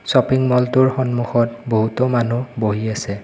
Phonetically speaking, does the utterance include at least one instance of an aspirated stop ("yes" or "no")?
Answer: no